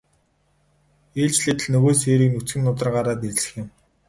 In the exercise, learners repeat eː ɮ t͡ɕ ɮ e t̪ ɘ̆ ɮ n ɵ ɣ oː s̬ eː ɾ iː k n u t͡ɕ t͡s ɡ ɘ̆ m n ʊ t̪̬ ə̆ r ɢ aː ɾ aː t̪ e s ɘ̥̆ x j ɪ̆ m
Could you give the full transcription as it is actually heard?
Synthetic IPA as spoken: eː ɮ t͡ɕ ɮ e t̪ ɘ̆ ɮ n ɵ ɣ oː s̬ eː ɾ iː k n u t͡s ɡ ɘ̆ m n ʊ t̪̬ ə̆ r ɢ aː ɾ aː t̪ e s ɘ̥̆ x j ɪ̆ m